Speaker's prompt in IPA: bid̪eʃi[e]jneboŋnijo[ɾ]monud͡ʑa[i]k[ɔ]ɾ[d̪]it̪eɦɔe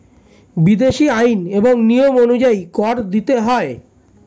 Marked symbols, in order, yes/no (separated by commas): no, no, yes, yes, yes